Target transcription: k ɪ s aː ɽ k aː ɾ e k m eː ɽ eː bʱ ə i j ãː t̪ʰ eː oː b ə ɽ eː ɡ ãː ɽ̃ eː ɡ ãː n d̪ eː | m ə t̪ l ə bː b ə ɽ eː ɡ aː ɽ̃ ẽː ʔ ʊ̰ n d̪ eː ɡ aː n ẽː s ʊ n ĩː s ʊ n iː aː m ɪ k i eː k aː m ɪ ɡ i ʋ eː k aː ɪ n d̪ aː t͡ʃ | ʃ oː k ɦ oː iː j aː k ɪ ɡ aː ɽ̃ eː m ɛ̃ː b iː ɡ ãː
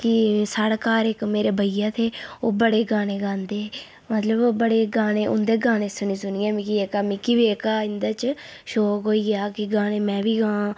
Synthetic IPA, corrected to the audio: k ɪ s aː ɽ k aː ɾ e k m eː ɾ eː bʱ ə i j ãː t̪ʰ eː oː b ə ɽ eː ɡ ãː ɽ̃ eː ɡ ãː n d̪ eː | m ə t̪ l ə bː b ə ɽ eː ɡ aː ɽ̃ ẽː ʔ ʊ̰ n d̪ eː ɡ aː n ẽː s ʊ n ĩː s ʊ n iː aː m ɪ k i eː k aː m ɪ k i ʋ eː k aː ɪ n d̪ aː t͡ʃ | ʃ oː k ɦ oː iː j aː k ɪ ɡ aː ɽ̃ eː m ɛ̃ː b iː ɡ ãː

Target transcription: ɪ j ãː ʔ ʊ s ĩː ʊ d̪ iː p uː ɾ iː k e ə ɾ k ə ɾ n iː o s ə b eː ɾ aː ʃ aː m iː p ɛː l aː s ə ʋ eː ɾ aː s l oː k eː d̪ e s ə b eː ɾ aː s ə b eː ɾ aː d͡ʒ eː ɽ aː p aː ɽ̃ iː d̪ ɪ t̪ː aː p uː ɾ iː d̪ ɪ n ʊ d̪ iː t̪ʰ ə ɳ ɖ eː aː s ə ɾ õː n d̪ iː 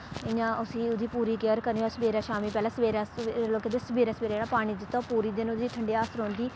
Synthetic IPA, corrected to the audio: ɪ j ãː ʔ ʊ s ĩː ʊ d̪ iː p uː ɾ iː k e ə ɾ k ə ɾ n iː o s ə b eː ɾ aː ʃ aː m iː p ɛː l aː s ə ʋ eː ɾ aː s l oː k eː d̪ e s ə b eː ɾ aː s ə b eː ɾ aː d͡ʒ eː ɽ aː p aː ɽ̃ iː d̪ ɪ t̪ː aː p uː ɾ iː d̪ ɪ n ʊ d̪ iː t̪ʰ ə ɳ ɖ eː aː s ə ɾ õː n d̪ iː

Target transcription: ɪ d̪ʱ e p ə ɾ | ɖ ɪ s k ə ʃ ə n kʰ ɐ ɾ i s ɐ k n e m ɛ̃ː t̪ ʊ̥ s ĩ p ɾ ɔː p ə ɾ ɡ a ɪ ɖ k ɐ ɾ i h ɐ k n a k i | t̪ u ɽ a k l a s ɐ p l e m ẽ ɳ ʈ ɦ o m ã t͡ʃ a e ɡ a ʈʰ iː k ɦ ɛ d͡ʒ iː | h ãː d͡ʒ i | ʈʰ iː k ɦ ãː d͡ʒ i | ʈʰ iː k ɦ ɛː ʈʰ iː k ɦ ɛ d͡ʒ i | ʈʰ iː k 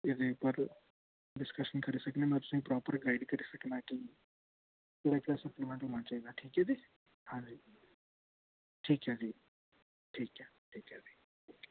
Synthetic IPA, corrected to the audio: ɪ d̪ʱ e p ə ɾ | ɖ ɪ s k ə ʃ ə n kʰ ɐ ɾ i s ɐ k n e m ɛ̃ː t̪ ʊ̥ s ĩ p ɾ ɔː p ə ɾ ɡ a ɪ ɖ k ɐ ɾ i s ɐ k n a k i | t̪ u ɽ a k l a s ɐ p l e m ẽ ɳ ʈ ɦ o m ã t͡ʃ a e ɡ a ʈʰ iː k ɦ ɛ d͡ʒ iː | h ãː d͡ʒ i | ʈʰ iː k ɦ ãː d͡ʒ i | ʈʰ iː k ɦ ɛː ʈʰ iː k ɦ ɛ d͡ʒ i | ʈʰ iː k

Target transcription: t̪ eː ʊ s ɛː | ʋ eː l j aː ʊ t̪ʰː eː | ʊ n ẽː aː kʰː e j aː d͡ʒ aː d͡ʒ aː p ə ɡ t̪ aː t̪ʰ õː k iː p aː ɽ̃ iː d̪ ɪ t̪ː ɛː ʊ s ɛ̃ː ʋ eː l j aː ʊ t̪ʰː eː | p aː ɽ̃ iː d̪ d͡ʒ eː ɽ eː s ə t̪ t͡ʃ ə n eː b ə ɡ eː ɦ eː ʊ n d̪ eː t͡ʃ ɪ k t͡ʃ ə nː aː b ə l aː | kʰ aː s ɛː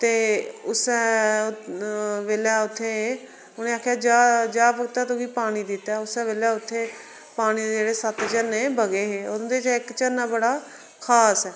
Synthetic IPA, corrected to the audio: t̪ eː ʊ s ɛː | ʋ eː l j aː ʊ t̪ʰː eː | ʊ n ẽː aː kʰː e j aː d͡ʒ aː d͡ʒ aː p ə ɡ t̪ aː t̪ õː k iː p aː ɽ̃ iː d̪ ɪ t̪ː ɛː ʊ s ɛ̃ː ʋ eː l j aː ʊ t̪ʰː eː | p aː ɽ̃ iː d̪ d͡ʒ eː ɽ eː s ə t̪ t͡ʃ ə n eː b ə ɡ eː ɦ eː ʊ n d̪ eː t͡ʃ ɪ k t͡ʃ ə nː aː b ə ɽ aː | kʰ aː s ɛː

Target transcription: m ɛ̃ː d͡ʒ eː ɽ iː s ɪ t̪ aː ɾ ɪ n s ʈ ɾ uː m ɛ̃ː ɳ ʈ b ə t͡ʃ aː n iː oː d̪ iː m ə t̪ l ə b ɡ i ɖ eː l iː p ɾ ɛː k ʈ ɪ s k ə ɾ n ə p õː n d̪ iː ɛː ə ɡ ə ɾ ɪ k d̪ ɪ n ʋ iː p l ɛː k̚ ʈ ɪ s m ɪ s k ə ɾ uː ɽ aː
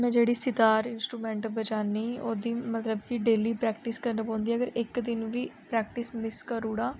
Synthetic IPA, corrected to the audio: m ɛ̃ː d͡ʒ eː ɽ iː s ɪ t̪ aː ɾ ɪ n s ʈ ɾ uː m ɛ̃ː ɳ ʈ b ə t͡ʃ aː n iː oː d̪ iː m ə t̪ l ə b k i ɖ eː l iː p ɾ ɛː k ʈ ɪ s k ə ɾ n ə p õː n d̪ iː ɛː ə ɡ ə ɾ ɪ k d̪ ɪ n ʋ iː p ɾ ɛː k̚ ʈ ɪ s m ɪ s k ə ɾ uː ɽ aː

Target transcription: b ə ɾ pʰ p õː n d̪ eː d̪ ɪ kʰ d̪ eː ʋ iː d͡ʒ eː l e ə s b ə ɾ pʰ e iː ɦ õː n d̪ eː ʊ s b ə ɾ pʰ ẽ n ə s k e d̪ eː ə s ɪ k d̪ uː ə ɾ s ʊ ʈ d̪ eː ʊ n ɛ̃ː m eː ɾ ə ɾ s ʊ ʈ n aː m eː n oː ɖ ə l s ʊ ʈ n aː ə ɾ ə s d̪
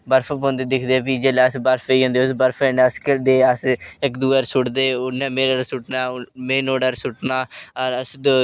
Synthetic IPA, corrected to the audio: b ə ɾ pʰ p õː n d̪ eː d̪ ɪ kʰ d̪ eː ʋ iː d͡ʒ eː l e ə s b ə ɾ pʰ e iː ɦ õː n d̪ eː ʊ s b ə ɾ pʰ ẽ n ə s k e d̪ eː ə s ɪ k d̪ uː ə ɾ s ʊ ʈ d̪ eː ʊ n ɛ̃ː m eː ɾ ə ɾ s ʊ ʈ n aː m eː n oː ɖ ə ɾ s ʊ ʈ n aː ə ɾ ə s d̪

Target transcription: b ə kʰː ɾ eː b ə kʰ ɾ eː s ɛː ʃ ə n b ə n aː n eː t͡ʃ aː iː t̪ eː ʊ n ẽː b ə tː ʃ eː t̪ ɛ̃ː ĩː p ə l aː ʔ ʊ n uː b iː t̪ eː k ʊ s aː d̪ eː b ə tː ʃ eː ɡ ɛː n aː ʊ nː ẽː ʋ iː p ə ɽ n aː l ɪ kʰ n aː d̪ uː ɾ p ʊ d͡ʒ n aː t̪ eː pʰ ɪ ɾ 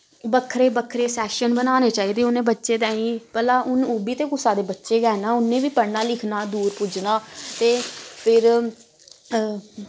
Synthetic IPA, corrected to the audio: b ə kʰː ɾ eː b ə kʰ ɾ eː s ɛː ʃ ə n b ə n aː n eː t͡ʃ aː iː d̪ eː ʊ n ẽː b ə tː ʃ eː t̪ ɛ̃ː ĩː p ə l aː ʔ ʊ n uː b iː t̪ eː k ʊ s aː d̪ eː b ə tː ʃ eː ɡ ɛː n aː ʊ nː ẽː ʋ iː p ə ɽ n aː l ɪ kʰ n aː d̪ uː ɾ p ʊ d͡ʒ n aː t̪ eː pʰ ɪ ɾ

